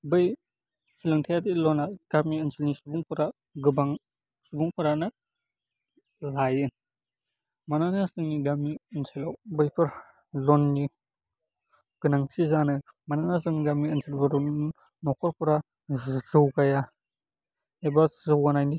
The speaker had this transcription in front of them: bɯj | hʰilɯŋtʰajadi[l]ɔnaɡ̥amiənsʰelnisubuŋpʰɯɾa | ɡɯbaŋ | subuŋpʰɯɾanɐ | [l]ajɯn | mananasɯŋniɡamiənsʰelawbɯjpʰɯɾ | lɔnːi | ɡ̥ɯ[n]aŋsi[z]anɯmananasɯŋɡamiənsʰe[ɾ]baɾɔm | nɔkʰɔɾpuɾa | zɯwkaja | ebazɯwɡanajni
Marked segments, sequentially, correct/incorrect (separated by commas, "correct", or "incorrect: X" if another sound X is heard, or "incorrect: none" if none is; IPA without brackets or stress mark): correct, correct, correct, correct, incorrect: l